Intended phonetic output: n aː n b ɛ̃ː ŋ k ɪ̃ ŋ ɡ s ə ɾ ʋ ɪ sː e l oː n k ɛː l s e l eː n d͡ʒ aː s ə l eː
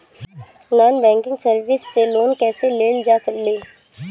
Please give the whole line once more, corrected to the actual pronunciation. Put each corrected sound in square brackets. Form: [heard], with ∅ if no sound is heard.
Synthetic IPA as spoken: n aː n b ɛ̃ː ŋ k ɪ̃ ŋ ɡ s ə ɾ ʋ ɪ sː e l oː n k ɛː [∅] s e l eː n d͡ʒ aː s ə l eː